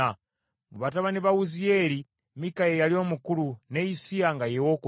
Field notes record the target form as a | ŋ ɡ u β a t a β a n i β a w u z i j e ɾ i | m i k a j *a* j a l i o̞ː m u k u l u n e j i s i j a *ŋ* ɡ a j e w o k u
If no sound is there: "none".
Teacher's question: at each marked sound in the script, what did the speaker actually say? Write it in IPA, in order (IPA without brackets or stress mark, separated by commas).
e, ŋ